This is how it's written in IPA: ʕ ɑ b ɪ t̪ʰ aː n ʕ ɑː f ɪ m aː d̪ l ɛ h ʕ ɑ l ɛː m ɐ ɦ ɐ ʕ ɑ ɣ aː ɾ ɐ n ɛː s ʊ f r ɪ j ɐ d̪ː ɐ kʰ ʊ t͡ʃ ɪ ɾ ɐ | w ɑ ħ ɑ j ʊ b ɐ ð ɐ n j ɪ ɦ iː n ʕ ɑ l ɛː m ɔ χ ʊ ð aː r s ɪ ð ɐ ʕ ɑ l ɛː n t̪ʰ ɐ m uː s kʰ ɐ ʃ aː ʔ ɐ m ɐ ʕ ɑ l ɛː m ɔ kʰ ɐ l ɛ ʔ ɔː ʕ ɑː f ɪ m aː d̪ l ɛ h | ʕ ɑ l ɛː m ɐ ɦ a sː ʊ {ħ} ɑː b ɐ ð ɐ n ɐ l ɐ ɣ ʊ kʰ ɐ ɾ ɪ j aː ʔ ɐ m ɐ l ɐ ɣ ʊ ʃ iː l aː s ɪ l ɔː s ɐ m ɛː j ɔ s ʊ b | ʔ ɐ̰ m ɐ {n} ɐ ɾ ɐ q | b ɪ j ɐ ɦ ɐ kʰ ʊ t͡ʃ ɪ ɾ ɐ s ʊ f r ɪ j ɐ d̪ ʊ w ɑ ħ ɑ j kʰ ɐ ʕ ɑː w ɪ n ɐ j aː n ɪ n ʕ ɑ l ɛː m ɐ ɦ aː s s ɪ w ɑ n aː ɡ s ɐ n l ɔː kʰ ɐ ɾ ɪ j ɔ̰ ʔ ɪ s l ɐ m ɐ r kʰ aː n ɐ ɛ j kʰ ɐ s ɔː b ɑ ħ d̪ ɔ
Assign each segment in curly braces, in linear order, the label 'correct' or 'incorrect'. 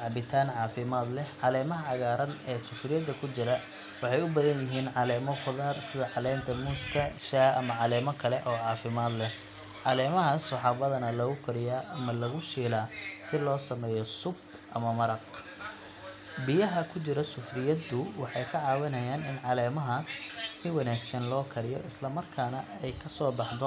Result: correct, incorrect: m

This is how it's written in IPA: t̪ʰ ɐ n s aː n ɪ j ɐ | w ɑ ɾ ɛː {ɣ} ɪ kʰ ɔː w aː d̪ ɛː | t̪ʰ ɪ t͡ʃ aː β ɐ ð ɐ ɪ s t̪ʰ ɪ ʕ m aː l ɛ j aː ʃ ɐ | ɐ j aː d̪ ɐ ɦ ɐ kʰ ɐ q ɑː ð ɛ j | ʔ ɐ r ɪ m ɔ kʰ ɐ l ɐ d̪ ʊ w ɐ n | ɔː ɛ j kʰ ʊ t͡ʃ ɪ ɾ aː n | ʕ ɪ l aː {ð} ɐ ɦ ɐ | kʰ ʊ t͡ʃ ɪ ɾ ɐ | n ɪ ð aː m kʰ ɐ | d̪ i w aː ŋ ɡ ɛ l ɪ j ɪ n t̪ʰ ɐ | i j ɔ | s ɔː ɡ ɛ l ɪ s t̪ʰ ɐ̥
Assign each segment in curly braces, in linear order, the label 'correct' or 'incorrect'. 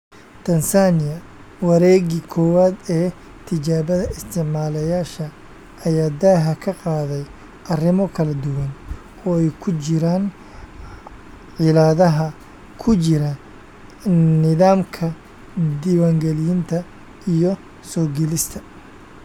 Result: correct, correct

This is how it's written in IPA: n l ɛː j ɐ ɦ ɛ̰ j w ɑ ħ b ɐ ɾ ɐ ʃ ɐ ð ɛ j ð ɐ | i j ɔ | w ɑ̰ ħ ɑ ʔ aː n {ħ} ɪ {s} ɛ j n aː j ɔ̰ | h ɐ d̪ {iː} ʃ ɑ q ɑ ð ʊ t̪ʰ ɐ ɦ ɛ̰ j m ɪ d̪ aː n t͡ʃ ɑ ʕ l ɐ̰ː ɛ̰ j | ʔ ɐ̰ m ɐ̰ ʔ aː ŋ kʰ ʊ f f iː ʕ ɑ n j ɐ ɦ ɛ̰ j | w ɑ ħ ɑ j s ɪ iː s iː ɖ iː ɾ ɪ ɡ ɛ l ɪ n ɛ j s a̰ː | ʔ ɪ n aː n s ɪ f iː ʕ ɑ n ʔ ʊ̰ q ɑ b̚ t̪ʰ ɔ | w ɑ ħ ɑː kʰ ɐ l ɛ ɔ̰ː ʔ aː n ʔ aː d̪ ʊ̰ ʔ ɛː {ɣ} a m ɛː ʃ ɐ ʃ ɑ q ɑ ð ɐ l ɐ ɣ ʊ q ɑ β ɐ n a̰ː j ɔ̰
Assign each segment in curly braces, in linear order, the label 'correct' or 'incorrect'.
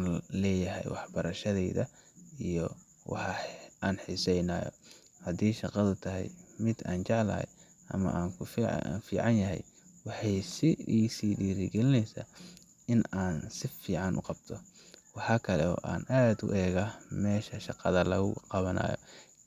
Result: correct, correct, correct, correct

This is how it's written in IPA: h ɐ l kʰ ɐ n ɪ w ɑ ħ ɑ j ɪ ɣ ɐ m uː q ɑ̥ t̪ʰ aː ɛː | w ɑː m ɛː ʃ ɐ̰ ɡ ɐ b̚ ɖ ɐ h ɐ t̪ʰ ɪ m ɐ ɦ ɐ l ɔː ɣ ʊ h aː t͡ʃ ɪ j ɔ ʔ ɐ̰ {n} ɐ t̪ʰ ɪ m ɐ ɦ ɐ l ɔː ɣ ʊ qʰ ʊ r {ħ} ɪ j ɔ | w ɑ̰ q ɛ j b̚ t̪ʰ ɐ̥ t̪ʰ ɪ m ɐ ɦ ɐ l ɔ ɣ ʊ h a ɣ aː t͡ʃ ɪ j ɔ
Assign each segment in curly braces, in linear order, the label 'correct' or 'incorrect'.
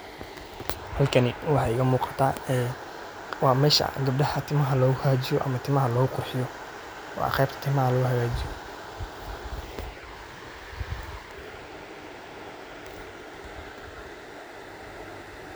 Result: incorrect: m, correct

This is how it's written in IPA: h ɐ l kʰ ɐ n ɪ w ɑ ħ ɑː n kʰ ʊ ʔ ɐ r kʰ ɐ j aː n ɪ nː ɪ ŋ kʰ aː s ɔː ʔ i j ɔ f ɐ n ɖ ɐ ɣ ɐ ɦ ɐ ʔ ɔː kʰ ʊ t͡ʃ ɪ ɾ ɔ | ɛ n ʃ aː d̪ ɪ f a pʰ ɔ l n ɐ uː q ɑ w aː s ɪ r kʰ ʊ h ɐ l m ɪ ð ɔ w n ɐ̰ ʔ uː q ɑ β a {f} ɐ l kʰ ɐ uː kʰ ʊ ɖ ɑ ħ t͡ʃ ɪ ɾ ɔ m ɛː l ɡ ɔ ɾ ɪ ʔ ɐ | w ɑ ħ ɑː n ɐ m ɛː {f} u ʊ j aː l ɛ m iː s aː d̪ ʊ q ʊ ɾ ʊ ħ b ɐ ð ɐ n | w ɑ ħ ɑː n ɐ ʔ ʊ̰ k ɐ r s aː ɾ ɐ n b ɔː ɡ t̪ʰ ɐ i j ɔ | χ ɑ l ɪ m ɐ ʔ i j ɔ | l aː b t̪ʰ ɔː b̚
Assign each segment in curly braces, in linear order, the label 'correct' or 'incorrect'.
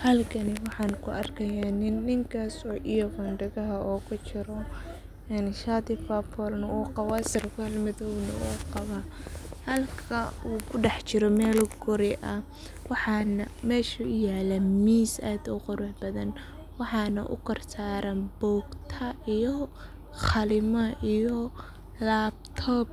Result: incorrect: h, incorrect: ʃ

